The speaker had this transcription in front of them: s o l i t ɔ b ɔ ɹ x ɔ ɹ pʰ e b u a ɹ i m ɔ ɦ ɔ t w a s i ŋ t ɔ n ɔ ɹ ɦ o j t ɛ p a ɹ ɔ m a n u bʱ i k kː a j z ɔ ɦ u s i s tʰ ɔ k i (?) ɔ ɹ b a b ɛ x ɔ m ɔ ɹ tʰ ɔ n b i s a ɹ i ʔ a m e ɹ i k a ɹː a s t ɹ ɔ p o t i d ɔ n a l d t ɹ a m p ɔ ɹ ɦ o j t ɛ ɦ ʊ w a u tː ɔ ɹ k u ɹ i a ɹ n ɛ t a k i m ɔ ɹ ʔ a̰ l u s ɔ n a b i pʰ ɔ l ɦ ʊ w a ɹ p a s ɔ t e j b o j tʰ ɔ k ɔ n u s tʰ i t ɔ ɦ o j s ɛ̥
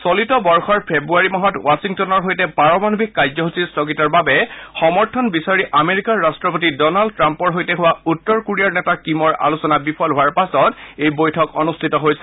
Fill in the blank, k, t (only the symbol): t